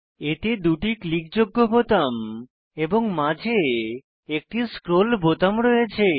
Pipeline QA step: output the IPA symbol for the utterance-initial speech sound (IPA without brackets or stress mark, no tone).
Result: e